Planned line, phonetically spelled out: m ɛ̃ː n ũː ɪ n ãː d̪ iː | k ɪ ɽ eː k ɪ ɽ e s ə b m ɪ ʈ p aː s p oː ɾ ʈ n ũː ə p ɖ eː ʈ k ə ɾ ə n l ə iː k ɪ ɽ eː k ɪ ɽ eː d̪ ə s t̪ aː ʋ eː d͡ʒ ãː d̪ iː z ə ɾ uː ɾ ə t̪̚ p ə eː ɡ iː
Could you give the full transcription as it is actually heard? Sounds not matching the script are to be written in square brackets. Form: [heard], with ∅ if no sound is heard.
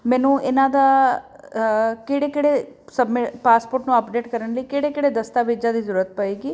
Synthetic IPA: m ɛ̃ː n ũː ɪ n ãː d̪ [aː] | k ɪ ɽ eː k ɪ ɽ e s ə b m ɪ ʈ p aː s p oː ɾ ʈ n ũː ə p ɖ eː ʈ k ə ɾ ə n l ə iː k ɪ ɽ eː k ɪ ɽ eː d̪ ə s t̪ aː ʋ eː d͡ʒ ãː d̪ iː z ə ɾ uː ɾ ə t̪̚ p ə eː ɡ iː